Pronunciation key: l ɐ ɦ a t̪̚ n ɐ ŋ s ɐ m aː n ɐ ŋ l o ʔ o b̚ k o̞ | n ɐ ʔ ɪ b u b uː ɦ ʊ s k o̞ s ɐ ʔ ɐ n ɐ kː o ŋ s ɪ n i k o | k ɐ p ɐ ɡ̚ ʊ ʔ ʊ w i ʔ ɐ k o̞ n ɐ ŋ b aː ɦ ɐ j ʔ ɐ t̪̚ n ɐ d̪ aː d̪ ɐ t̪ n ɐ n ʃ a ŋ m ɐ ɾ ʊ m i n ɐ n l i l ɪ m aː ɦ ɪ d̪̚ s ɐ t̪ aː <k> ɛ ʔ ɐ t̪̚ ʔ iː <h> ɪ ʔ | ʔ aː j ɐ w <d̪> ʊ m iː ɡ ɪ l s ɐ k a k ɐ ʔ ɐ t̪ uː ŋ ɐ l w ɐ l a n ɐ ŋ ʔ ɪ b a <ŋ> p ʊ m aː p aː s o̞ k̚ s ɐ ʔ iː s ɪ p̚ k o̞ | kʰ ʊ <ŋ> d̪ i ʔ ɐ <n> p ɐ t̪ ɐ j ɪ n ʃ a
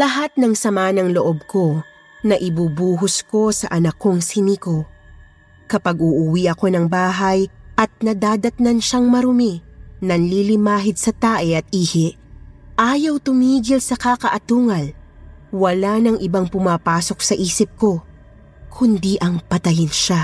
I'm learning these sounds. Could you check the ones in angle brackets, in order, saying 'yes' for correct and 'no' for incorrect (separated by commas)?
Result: no, yes, no, yes, no, no